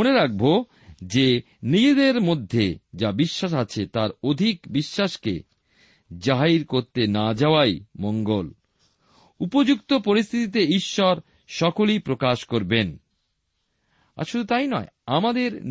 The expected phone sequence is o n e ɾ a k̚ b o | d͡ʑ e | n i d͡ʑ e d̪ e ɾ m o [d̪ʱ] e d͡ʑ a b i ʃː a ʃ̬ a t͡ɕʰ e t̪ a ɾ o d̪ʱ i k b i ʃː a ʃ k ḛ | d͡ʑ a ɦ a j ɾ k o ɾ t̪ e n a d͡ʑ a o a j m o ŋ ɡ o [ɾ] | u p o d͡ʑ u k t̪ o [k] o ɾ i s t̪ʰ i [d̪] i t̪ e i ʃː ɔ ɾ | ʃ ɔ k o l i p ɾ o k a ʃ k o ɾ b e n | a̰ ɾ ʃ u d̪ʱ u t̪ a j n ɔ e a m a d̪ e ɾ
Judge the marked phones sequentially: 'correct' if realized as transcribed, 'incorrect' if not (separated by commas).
incorrect, incorrect, incorrect, incorrect